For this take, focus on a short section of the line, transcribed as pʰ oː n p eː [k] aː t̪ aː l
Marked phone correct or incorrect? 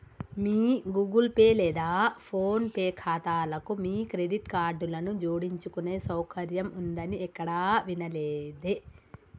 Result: incorrect